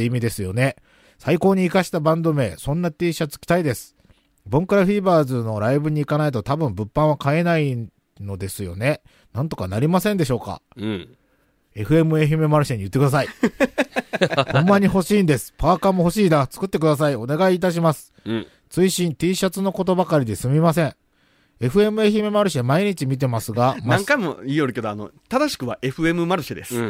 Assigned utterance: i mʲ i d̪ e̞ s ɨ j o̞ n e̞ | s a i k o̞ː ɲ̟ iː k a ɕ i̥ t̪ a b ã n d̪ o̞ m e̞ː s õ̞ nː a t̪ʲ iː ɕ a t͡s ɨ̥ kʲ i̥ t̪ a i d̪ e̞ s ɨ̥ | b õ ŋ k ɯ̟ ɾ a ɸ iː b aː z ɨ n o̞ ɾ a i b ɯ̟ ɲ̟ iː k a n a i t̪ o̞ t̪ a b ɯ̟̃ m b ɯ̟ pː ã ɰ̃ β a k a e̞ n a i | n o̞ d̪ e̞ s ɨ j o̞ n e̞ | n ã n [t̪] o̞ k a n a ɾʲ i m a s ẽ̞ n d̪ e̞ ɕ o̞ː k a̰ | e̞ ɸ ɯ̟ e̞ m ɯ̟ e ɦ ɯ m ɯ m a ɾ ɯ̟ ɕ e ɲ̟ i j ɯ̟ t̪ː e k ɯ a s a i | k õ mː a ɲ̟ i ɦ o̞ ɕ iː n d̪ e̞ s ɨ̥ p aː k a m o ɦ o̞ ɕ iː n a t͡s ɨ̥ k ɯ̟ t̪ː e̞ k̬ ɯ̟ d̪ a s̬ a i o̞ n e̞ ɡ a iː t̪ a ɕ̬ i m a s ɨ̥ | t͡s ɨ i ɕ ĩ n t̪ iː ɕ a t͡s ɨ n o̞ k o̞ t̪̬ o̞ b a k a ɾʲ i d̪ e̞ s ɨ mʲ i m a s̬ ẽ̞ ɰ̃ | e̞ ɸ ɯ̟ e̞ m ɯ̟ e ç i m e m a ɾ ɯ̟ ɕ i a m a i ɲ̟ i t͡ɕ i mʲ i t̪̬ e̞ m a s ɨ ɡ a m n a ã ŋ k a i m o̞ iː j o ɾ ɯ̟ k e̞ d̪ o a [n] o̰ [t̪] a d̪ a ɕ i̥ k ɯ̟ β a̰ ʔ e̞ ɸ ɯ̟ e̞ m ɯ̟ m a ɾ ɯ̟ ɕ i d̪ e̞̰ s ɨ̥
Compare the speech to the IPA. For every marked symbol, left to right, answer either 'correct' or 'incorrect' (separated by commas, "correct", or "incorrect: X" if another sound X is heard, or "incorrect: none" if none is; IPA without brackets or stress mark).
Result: correct, correct, correct